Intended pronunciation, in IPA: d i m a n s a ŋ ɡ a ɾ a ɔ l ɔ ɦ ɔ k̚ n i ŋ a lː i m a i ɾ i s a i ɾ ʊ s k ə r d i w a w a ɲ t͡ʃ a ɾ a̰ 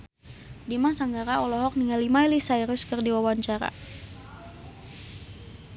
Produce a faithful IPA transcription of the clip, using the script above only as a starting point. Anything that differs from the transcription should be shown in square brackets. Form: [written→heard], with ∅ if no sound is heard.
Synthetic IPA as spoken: d i m a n s a ŋ ɡ a ɾ a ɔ l ɔ ɦ ɔ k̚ n i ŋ a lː i m a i [ɾ→l] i s a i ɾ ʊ s k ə r d i w a w a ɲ t͡ʃ a ɾ a̰